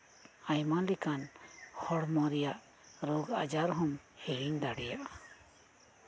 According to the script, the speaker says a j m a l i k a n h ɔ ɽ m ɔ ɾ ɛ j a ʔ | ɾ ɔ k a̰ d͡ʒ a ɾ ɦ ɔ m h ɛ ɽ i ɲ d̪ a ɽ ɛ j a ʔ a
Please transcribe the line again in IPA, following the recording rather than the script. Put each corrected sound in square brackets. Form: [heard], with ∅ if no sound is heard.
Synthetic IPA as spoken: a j m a l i k a n h ɔ ɽ m ɔ ɾ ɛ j a ʔ | ɾ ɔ [ɡ] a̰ d͡ʒ a ɾ ɦ ɔ m h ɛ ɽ i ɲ d̪ a ɽ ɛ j a ʔ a